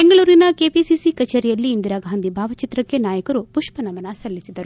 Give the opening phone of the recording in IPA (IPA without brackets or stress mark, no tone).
b